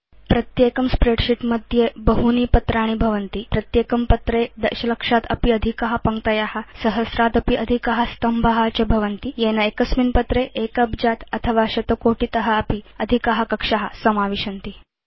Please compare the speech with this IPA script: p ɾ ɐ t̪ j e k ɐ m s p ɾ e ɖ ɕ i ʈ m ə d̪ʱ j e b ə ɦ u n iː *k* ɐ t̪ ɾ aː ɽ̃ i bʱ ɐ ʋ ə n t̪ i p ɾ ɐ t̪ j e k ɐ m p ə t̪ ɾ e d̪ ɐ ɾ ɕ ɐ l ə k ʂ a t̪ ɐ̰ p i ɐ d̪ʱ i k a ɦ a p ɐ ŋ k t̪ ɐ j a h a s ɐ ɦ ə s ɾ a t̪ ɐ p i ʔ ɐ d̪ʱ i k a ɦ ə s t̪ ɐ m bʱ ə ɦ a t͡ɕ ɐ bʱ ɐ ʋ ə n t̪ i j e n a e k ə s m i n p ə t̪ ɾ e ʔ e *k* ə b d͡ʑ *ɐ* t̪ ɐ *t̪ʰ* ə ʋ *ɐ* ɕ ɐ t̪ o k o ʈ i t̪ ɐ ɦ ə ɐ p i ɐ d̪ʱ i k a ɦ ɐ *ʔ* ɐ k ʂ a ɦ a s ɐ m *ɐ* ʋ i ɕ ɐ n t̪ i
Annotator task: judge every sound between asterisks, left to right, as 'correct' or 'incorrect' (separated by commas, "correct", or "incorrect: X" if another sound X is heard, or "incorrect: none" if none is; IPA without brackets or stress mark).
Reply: incorrect: p, correct, incorrect: a, correct, incorrect: a, incorrect: k, incorrect: a